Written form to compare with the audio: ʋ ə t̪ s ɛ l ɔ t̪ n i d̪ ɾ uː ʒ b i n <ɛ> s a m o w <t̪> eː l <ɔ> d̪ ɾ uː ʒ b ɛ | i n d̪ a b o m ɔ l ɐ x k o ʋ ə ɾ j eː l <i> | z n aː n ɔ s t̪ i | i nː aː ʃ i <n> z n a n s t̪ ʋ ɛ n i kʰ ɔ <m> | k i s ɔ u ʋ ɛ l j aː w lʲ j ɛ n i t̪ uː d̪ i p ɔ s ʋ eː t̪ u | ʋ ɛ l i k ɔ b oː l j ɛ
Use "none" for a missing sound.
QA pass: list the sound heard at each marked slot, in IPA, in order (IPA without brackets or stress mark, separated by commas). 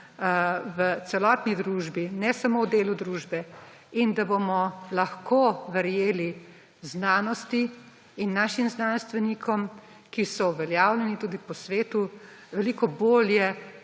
ɛ, d̪, u, i, m, m